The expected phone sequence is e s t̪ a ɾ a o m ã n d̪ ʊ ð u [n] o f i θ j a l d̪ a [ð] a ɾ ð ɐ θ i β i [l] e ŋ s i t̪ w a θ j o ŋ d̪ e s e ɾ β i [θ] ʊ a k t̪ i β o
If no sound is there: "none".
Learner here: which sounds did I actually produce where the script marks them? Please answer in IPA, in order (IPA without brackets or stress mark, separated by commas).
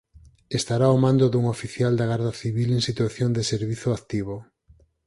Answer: ŋ, ɣ, l, θ